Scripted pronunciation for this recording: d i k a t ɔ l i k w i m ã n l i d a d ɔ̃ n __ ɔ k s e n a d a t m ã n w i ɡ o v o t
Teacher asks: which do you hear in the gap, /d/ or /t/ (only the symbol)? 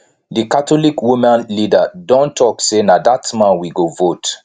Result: t